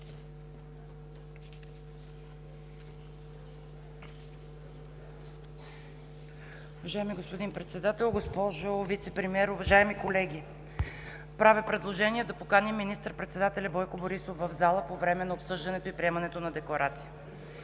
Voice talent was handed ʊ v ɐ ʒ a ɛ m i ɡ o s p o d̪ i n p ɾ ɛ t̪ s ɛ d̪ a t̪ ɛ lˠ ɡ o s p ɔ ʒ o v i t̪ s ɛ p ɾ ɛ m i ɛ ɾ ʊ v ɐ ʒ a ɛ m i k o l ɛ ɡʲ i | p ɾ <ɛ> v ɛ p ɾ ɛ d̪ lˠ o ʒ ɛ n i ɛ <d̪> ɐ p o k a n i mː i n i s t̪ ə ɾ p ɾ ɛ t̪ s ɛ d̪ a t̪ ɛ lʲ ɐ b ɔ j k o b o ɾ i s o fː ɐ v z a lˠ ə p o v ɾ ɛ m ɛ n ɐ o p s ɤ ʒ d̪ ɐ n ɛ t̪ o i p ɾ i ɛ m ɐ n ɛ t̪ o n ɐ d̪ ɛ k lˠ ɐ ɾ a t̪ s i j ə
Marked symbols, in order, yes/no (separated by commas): no, yes